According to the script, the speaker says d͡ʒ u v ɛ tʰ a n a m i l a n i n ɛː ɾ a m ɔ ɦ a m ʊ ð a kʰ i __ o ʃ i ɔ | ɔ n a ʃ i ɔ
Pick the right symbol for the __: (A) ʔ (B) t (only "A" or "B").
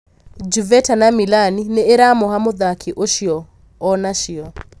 A